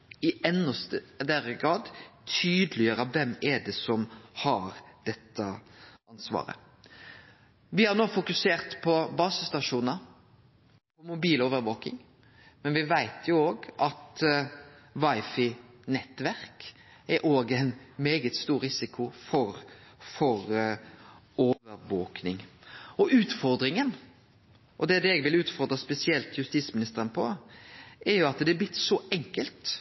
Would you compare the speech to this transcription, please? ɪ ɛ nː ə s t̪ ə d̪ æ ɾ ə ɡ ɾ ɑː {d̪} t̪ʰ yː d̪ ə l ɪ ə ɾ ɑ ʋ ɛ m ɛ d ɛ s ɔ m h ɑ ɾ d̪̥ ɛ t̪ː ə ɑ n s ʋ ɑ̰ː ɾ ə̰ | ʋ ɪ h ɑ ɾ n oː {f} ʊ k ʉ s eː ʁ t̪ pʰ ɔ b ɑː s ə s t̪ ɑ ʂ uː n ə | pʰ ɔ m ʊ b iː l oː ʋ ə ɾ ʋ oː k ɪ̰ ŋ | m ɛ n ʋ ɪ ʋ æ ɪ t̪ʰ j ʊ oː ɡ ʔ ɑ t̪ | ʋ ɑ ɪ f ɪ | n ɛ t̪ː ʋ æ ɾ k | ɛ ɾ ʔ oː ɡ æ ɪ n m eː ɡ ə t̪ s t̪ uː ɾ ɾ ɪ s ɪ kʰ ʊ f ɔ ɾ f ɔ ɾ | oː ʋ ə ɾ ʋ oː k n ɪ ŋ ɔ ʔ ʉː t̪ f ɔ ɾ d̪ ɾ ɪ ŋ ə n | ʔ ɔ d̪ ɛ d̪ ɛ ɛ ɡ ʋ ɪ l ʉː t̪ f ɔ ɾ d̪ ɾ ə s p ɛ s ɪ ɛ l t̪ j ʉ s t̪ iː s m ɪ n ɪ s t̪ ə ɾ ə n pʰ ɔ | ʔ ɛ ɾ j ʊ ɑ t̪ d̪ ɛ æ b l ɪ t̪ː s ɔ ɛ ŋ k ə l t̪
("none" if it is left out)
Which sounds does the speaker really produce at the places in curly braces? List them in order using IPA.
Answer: d̪, f

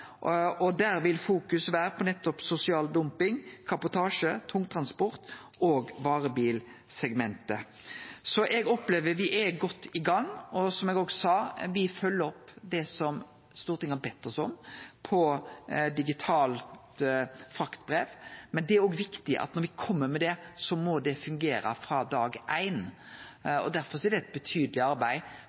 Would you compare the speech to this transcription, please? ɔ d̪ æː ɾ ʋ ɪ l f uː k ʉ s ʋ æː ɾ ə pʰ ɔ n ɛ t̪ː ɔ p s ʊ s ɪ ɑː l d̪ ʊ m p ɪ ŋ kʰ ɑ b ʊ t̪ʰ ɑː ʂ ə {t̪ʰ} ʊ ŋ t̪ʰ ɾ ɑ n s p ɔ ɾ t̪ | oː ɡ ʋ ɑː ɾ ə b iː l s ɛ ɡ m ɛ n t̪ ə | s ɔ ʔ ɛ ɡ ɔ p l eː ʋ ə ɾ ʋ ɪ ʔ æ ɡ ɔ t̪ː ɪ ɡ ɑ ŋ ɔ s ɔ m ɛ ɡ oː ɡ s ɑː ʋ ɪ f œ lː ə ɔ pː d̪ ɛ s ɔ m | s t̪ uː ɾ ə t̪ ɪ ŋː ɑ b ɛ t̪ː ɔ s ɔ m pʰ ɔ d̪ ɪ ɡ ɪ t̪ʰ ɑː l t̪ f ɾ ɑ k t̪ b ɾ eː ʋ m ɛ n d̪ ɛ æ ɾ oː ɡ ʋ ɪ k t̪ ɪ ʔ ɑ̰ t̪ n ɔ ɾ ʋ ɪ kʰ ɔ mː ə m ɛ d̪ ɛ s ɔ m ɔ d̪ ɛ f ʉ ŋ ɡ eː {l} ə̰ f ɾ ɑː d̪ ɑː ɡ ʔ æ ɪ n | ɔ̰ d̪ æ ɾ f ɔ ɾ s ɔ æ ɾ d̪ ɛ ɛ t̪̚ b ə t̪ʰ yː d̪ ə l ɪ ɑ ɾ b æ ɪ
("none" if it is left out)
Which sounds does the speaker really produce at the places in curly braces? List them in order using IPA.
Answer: t̪ʰ, ɾ

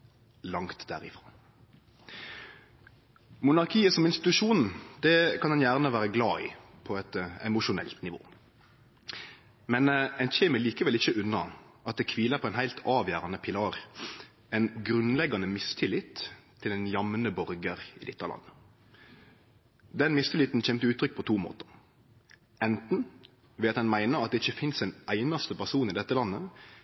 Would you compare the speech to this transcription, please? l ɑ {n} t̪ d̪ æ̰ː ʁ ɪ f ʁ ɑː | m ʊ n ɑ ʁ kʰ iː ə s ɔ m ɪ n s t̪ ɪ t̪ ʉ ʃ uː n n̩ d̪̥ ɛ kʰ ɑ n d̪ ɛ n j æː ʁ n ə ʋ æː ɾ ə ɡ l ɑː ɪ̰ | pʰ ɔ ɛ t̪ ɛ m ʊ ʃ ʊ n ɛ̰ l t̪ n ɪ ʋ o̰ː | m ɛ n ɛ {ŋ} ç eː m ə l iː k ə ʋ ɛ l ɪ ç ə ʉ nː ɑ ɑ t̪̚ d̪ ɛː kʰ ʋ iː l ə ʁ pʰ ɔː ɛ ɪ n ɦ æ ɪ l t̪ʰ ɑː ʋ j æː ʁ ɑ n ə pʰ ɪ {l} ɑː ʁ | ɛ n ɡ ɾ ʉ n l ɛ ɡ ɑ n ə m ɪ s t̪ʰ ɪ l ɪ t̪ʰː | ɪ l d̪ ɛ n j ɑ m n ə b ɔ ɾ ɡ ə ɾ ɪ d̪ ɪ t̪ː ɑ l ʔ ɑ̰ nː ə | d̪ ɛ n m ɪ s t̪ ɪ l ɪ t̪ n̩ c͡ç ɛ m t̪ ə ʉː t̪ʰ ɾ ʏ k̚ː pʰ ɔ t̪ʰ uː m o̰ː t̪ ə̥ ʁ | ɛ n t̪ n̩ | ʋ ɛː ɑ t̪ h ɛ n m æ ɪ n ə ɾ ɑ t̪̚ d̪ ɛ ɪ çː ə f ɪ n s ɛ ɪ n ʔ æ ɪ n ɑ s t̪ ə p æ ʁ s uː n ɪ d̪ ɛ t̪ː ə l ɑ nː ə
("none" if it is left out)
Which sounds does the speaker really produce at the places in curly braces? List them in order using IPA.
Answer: ŋ, n, l

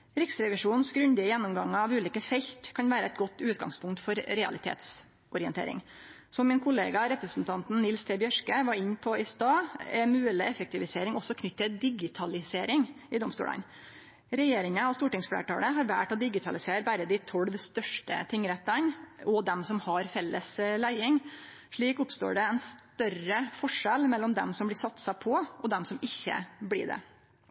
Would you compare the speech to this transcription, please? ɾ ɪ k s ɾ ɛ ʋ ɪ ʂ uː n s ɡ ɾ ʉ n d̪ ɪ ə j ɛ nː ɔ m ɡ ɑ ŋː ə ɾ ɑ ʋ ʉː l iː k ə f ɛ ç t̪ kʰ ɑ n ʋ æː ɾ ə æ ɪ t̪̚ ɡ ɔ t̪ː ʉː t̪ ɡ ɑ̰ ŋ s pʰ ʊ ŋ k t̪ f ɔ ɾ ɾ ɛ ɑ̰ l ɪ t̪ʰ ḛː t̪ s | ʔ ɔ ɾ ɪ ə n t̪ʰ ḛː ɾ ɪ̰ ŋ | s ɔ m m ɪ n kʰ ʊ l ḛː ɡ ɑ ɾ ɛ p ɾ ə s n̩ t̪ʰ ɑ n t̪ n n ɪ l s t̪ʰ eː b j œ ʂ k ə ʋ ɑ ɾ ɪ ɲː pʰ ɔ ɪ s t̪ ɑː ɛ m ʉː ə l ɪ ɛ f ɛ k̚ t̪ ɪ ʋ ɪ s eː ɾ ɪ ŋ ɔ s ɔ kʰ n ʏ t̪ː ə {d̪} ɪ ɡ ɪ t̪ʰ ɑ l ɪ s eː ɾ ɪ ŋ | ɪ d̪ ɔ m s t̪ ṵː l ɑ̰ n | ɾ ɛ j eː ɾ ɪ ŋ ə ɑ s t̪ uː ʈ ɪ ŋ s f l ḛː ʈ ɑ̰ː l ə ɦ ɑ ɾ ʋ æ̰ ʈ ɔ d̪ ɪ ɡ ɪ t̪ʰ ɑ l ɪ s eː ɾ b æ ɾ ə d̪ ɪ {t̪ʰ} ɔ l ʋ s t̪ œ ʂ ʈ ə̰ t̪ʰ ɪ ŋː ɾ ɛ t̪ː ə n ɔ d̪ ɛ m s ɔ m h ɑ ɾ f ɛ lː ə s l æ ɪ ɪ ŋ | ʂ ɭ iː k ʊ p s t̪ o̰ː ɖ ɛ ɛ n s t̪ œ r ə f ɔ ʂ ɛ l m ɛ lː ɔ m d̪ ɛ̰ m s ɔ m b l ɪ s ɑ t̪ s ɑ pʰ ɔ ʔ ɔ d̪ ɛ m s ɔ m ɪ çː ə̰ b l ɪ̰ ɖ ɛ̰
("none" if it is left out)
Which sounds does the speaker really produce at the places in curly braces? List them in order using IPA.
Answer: d̪, t̪ʰ

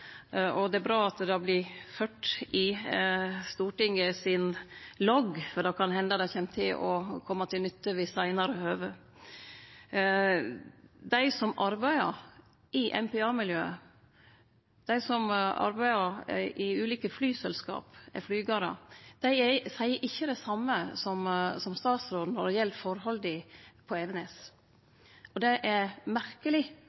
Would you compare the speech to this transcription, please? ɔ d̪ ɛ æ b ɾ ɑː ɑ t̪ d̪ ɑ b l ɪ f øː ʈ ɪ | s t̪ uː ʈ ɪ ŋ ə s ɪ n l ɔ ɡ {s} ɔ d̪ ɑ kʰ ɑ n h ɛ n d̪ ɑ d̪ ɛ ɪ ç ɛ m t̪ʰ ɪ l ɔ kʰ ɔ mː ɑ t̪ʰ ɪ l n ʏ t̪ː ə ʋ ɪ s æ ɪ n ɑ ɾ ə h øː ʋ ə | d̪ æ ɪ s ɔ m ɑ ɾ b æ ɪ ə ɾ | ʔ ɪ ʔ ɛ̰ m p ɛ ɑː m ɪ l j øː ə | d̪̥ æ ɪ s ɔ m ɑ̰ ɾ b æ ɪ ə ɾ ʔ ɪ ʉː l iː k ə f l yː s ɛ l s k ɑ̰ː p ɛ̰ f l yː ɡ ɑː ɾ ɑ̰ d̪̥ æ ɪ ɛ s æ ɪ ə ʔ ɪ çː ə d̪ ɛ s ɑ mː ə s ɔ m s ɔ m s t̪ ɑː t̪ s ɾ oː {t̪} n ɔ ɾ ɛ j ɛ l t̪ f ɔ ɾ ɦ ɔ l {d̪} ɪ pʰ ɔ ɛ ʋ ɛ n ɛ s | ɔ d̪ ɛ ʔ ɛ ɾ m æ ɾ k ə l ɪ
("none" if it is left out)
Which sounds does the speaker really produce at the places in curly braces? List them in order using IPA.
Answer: f, d̪, d̪

